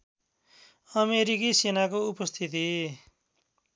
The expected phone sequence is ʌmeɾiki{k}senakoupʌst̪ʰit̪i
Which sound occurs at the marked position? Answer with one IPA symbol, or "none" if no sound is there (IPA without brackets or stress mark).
none